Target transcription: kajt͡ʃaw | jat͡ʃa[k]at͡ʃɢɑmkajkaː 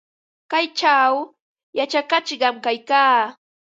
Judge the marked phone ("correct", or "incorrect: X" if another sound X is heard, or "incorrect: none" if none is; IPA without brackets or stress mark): correct